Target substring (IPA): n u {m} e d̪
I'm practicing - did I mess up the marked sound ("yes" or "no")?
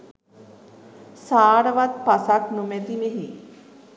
no